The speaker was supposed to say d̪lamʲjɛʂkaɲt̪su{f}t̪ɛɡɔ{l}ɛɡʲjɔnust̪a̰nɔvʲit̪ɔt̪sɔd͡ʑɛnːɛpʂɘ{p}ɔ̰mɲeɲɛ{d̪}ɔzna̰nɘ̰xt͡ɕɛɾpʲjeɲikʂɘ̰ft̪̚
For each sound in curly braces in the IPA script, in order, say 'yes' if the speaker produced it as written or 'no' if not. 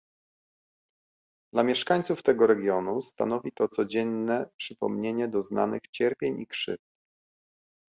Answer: yes, no, yes, yes

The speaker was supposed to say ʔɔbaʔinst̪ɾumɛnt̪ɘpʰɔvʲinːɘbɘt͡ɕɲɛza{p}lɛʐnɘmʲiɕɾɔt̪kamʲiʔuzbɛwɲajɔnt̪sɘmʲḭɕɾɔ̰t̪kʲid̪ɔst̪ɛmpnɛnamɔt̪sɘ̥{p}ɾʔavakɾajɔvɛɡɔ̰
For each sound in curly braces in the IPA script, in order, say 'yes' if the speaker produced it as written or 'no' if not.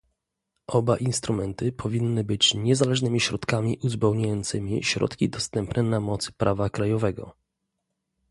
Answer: no, yes

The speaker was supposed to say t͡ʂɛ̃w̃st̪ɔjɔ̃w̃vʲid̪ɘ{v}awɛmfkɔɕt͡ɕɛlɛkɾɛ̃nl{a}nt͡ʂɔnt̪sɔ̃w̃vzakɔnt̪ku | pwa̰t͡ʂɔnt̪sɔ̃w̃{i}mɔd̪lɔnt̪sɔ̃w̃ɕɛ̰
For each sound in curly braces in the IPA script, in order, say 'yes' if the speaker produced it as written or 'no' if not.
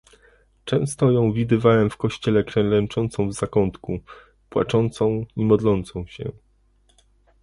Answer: yes, no, yes

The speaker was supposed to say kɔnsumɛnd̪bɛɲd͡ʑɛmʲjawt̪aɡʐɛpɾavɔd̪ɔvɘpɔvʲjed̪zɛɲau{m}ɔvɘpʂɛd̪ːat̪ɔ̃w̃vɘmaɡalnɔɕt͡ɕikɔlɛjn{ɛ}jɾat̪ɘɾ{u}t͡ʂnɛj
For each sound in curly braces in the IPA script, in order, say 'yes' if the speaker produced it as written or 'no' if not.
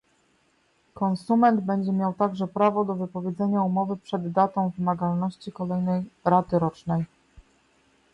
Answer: yes, yes, no

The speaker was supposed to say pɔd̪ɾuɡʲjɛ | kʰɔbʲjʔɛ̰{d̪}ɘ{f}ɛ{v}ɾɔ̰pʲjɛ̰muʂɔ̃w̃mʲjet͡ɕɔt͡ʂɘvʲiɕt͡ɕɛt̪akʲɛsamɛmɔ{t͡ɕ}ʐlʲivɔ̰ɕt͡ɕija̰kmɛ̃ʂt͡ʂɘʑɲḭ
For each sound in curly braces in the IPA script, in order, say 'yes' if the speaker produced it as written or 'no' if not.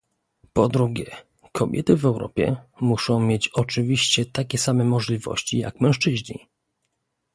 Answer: no, no, no, no

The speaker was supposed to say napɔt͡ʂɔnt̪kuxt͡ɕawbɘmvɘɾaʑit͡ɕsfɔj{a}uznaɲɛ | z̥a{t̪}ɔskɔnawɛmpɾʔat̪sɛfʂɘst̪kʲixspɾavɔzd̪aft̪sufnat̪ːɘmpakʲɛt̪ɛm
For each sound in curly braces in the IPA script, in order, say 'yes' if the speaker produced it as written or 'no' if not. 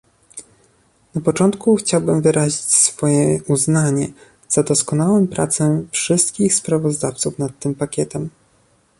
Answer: no, no

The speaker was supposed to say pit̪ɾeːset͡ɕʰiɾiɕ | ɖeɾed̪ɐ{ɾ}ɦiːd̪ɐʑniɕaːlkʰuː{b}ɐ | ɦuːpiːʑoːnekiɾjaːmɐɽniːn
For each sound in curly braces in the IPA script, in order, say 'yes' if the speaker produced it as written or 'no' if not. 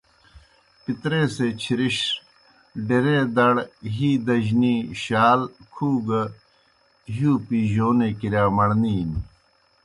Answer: no, no

